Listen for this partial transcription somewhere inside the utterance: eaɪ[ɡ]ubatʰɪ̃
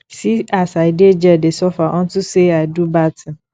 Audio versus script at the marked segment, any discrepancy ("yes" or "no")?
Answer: yes